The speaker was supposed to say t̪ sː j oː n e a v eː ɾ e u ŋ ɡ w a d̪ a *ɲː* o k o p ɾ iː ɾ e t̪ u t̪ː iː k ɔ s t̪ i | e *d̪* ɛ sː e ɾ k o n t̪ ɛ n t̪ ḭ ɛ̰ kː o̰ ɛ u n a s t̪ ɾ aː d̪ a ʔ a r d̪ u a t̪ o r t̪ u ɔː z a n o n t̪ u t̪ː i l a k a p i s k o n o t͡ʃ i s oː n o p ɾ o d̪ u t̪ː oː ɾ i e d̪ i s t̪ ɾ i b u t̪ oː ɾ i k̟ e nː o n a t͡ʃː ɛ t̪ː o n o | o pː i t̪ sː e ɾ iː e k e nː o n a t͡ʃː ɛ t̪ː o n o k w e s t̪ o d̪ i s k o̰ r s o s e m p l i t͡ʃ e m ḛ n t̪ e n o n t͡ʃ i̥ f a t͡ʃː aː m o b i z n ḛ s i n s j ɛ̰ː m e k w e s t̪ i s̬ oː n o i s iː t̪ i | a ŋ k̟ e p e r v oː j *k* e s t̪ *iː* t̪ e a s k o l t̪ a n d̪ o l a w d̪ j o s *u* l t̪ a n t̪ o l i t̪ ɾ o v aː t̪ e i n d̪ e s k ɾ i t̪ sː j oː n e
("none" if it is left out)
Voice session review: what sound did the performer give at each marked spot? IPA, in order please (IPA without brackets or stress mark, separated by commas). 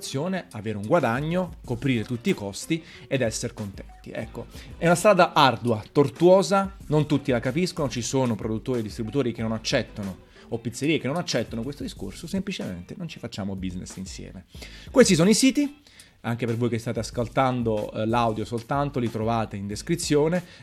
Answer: ɲː, d̪, k, aː, o